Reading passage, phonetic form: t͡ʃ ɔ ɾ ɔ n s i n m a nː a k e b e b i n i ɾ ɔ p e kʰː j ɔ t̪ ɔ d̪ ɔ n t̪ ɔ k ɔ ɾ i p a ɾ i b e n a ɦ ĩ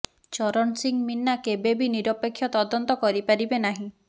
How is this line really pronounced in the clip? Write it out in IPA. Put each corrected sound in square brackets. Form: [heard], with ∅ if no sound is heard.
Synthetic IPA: t͡ʃ ɔ ɾ ɔ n s i [ŋ] m [i] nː a k e b e b i n i ɾ ɔ p e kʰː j ɔ t̪ ɔ d̪ ɔ n t̪ ɔ k ɔ ɾ i p a ɾ i b e n a ɦ ĩ

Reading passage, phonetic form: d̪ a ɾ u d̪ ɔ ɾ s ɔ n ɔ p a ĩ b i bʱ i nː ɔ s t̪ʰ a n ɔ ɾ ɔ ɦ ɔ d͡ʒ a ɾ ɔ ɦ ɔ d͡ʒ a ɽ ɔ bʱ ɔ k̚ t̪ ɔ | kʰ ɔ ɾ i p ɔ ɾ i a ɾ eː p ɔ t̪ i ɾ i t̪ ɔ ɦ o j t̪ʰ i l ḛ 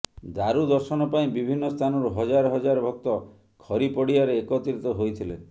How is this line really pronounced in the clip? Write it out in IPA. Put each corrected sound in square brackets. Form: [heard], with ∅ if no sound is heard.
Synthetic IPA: d̪ a ɾ u d̪ ɔ ɾ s ɔ n ɔ p a ĩ b i bʱ i nː ɔ s t̪ʰ a n ɔ ɾ [u] ɦ ɔ d͡ʒ a ɾ ɔ ɦ ɔ d͡ʒ a [ɾ] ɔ bʱ ɔ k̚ t̪ ɔ | kʰ ɔ ɾ i p ɔ [ɽ] i a ɾ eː [k] ɔ t̪ i ɾ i t̪ ɔ ɦ o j t̪ʰ i l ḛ

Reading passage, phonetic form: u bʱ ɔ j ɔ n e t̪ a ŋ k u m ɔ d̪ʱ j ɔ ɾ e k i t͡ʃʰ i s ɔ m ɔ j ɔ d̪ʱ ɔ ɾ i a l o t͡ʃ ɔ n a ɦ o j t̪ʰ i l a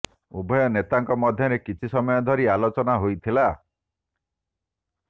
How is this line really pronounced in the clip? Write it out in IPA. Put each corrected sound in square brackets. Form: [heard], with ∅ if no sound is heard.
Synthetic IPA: u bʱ ɔ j ɔ n e t̪ a ŋ k [ɔ] m ɔ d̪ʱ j ɔ ɾ e k i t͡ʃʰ i s ɔ m ɔ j ɔ d̪ʱ ɔ ɾ i a l o t͡ʃ ɔ n a ɦ o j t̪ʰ i l a

